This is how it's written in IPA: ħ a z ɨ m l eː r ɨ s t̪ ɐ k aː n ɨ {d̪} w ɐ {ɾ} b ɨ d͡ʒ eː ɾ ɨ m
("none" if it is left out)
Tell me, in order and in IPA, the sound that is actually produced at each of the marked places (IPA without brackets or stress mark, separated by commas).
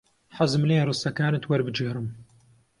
t̪, ɾ